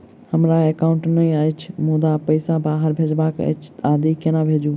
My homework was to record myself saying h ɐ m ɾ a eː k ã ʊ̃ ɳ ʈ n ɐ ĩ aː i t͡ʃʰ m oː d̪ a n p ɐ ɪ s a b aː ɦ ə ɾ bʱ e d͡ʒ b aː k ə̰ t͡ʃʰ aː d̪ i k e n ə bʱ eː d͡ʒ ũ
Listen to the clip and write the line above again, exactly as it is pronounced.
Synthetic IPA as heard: h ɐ m ɾ a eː k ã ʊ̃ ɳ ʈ n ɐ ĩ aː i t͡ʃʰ m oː d̪ a p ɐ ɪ s a b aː ɦ ə ɾ bʱ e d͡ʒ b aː k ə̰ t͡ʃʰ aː d̪ i k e n a bʱ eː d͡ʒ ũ